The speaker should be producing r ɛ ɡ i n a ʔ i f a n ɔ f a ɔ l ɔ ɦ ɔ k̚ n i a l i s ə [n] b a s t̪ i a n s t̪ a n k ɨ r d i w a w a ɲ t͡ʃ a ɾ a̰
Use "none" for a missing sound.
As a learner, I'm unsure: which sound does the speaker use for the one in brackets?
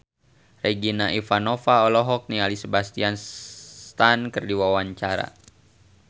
none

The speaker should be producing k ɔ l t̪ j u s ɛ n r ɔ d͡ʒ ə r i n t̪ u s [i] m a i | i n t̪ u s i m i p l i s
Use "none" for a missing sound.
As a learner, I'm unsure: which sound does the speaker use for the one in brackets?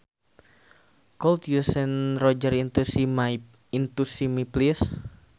i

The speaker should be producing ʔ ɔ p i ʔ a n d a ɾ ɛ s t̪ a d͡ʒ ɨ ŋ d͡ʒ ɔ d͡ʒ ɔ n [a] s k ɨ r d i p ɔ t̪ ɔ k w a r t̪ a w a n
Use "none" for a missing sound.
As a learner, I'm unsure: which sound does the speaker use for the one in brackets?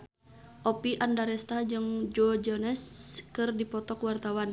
ɛ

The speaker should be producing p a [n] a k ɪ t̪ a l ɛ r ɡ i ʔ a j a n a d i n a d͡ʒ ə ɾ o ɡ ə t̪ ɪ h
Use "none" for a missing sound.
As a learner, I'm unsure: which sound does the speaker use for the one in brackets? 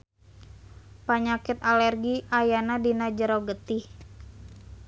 ɲ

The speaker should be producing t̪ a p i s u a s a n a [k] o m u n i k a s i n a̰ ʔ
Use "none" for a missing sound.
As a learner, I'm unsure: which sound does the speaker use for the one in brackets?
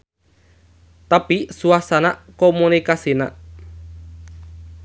k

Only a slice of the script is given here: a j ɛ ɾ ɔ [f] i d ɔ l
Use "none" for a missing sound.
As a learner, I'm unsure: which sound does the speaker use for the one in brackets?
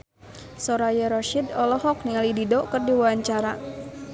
ʃ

